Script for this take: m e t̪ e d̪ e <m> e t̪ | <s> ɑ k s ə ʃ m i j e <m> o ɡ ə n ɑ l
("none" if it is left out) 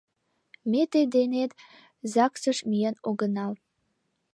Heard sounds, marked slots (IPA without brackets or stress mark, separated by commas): n, z, n